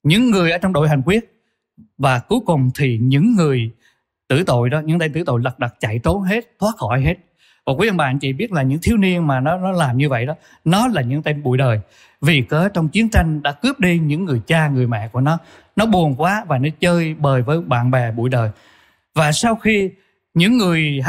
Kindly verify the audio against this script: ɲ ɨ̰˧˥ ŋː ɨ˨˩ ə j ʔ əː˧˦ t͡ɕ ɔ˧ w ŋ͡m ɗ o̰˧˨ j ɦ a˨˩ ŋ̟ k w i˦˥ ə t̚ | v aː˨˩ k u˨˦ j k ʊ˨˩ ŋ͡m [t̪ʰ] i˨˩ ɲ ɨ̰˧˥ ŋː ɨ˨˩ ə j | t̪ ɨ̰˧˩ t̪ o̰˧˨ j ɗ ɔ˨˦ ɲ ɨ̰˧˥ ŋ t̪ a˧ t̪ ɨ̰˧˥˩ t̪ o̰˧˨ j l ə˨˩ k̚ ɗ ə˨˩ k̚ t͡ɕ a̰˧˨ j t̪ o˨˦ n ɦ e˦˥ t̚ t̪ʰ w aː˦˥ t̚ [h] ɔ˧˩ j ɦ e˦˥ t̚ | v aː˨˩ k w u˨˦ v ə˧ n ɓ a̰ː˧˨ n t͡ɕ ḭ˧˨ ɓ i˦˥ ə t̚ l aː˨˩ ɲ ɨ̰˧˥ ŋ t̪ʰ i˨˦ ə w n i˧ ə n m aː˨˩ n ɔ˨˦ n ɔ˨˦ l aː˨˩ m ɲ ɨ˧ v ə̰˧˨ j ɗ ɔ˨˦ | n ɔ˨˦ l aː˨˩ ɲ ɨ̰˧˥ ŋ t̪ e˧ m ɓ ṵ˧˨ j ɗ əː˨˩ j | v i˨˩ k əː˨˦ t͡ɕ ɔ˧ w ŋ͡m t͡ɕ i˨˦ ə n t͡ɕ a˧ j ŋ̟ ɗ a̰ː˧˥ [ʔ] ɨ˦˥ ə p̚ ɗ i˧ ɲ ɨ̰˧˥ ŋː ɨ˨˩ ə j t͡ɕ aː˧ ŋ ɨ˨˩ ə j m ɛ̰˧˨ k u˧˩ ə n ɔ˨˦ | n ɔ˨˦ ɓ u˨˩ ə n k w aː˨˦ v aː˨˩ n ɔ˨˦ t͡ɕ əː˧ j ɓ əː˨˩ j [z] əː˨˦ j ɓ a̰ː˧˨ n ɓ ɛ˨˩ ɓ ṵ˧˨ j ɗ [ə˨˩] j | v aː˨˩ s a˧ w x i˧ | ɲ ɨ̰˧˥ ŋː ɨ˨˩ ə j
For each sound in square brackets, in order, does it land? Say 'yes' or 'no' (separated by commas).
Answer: yes, no, no, no, no